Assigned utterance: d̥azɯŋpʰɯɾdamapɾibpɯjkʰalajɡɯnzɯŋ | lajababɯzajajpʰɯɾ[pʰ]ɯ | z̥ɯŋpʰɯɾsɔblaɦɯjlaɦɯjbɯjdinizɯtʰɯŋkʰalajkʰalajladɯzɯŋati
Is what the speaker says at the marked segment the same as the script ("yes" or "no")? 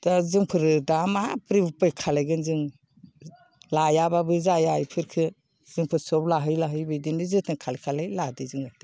no